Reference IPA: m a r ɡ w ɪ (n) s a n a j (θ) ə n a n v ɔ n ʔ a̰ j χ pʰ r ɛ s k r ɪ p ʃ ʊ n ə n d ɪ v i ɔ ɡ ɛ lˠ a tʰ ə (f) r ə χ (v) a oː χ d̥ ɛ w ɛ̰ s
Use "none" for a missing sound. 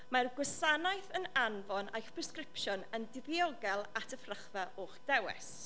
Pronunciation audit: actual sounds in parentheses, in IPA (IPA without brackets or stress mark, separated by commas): none, θ, f, v